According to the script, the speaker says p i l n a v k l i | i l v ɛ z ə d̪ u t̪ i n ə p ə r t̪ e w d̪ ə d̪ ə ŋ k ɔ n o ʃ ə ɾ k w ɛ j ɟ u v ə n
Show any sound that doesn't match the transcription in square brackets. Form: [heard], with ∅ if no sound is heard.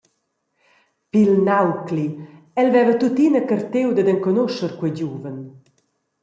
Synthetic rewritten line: p i l n a [w] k l i | [ɛ] l v ɛ [v] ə [t̪] u t̪ i n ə [k] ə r t̪ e w d̪ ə d̪ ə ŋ k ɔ n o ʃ ə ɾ k w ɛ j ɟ u v ə n